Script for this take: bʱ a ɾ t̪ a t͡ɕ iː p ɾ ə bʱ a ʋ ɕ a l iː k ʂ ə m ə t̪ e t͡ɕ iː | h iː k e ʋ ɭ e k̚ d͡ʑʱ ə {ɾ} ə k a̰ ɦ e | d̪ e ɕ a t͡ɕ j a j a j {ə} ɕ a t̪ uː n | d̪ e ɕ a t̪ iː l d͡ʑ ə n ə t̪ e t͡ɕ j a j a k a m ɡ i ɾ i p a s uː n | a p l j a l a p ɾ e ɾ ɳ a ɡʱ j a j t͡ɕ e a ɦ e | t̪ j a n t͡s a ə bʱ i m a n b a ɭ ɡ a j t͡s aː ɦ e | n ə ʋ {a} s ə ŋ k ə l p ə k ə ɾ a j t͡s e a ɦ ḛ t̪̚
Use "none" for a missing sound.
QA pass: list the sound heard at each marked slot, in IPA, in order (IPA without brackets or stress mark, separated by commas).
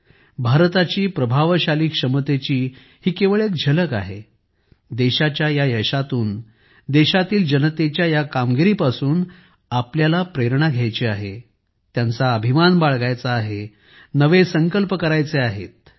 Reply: l, ə, e